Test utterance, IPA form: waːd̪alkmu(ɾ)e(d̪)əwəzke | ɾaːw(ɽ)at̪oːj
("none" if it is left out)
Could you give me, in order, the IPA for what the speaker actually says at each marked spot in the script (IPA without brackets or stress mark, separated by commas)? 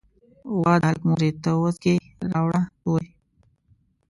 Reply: ɾ, t̪, ɽ